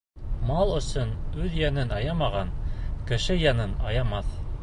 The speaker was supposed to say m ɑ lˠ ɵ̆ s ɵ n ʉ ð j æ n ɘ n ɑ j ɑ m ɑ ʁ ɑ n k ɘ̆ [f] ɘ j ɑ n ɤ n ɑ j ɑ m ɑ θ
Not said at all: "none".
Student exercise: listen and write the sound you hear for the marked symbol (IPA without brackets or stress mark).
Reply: ʃ